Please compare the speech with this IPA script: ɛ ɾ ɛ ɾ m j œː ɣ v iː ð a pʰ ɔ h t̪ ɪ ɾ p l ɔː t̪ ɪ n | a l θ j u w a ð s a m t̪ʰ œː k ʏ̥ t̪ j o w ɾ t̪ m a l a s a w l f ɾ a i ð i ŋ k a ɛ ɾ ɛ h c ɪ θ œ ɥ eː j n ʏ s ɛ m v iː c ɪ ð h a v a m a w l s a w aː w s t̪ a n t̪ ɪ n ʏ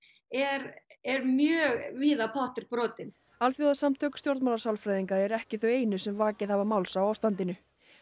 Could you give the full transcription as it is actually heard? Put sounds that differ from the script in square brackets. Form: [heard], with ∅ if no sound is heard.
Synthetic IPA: ɛ ɾ ɛ ɾ m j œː ɣ v iː ð a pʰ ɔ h t̪ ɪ ɾ p [ɾ] ɔː t̪ ɪ n | a l θ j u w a ð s a m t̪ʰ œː k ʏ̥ t̪ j o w ɾ t̪ m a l a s a w l f ɾ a [j] ð i ŋ k a ɛ ɾ ɛ h c ɪ θ œ ɥ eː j n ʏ s ɛ m v [aː] c ɪ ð h a v a m a w l s a w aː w s t̪ a n t̪ ɪ n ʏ